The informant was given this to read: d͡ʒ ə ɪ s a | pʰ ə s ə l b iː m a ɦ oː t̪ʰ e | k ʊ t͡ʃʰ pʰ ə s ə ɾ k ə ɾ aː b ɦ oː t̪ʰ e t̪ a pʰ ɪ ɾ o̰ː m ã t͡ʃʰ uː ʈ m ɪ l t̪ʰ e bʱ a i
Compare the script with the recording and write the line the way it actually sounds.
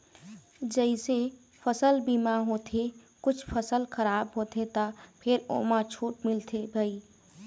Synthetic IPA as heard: d͡ʒ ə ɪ s e | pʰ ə s ə l b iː m a ɦ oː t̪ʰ e | k ʊ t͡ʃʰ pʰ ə s ə l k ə ɾ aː b ɦ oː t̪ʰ e t̪ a pʰ ɪ ɾ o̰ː m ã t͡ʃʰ uː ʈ m ɪ l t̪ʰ e bʱ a i